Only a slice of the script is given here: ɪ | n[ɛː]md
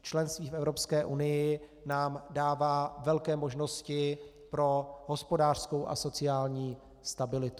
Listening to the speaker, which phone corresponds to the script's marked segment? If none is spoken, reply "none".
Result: aː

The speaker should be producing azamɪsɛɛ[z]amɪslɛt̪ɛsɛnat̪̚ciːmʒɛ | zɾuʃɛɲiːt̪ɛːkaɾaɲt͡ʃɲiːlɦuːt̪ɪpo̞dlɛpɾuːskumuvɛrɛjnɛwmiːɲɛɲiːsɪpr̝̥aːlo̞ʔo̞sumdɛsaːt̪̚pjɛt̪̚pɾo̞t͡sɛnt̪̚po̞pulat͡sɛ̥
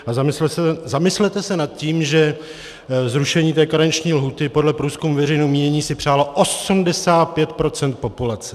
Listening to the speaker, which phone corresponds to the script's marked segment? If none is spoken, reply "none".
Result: z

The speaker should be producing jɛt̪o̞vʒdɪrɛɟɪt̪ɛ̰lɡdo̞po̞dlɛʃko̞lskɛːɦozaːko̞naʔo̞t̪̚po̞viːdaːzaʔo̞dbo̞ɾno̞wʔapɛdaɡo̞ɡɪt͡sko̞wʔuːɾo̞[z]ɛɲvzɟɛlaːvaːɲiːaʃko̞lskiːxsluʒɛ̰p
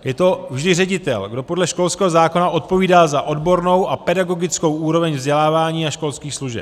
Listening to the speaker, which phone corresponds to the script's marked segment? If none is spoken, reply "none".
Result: v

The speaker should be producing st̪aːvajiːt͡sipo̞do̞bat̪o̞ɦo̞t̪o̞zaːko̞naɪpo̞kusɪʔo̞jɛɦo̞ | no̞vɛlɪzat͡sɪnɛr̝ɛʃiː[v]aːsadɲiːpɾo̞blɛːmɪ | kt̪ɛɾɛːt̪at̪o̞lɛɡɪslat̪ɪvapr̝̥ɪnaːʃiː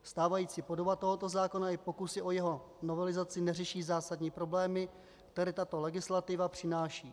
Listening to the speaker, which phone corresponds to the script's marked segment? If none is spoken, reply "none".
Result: z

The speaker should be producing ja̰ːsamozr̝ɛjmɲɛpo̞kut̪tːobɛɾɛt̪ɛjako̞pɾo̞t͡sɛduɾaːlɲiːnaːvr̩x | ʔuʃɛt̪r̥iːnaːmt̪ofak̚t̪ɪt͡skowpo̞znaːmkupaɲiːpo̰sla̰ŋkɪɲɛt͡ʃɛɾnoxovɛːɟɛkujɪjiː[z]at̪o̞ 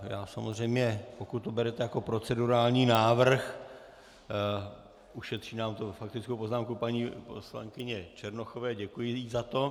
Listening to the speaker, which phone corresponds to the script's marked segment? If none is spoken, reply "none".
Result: z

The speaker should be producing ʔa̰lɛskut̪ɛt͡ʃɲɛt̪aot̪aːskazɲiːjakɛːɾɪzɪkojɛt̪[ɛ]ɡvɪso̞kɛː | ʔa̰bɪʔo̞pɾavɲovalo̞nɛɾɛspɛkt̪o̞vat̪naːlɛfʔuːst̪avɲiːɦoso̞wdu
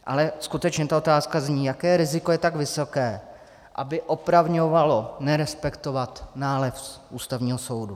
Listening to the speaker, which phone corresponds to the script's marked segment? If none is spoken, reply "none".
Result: a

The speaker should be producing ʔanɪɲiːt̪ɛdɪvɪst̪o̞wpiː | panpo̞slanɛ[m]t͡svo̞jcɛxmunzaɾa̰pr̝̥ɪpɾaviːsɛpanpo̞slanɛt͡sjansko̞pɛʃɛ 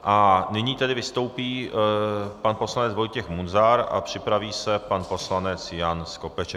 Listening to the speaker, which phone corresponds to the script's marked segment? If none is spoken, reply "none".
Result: none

